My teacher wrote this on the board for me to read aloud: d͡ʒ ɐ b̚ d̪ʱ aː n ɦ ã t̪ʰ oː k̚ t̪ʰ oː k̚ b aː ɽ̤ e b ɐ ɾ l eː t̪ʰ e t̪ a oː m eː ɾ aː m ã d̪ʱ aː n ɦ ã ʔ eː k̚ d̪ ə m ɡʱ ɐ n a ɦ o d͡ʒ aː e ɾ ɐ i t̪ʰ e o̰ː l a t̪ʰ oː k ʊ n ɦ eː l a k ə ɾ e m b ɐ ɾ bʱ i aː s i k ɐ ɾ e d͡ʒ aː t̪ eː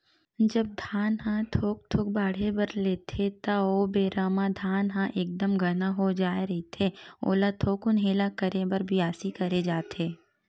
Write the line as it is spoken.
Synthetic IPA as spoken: d͡ʒ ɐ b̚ d̪ʱ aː n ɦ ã t̪ʰ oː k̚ t̪ʰ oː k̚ b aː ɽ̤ e b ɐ ɾ l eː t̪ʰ e t̪ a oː b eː ɾ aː m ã d̪ʱ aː n ɦ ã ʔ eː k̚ d̪ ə m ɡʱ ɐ n a ɦ o d͡ʒ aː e ɾ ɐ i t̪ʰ e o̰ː l a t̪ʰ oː k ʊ n ɦ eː l a k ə ɾ e b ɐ ɾ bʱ i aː s i k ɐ ɾ e d͡ʒ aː t̪ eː